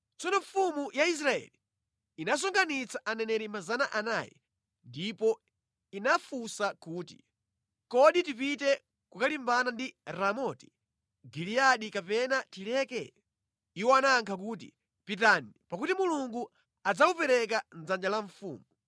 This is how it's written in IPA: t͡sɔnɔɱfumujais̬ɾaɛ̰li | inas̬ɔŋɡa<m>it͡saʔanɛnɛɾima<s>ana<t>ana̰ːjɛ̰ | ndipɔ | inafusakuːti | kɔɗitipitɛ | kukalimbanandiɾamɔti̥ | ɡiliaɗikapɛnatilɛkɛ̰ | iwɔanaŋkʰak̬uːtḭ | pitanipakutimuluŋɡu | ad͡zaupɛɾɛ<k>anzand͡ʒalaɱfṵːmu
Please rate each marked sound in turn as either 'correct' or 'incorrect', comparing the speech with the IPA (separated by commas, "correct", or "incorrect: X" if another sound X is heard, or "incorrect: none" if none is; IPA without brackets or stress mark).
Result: incorrect: n, incorrect: z, incorrect: ʔ, correct